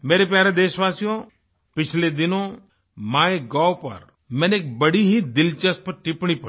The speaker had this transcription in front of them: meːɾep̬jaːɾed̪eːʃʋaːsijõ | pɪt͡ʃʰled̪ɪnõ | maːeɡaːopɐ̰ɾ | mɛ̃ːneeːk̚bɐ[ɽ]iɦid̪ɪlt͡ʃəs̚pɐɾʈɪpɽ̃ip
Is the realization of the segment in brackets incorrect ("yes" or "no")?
no